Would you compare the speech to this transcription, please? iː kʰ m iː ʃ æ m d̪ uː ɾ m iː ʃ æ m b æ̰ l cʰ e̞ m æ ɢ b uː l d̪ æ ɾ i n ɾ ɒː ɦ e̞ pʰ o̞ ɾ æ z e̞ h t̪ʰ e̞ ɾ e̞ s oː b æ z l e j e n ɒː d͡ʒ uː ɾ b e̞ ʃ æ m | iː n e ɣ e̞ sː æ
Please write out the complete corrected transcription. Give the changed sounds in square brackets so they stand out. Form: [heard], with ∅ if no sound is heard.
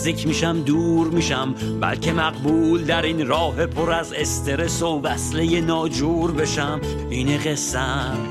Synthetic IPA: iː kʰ m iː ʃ æ m d̪ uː ɾ m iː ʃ æ m b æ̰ l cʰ e̞ m æ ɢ b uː l d̪ æ ɾ i n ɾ ɒː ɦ e̞ pʰ o̞ ɾ æ z e̞ [s] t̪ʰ e̞ ɾ e̞ s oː b æ [s] l e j e n ɒː d͡ʒ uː ɾ b e̞ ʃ æ m | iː n e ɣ e̞ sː æ